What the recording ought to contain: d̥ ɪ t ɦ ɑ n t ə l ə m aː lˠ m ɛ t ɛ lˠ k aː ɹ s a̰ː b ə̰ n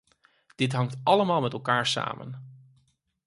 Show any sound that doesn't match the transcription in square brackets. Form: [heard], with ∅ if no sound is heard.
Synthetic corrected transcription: d̥ ɪ t ɦ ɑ [ŋ] t [ɑ] l ə m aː lˠ m ɛ t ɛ lˠ k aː ɹ s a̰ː [m] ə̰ n